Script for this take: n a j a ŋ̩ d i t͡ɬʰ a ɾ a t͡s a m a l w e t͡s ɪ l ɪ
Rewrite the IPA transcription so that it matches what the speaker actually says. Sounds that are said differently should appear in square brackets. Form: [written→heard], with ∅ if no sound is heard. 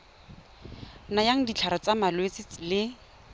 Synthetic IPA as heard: n a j a ŋ̩ d i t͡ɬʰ a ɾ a t͡s a m a l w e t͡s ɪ l ɪ